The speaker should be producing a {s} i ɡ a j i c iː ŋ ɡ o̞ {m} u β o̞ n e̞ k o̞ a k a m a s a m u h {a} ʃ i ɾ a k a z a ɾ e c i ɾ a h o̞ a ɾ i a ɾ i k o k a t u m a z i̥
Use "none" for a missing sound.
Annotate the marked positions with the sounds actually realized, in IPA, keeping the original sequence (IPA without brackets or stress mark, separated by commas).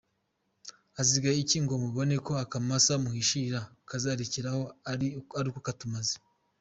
z, m, i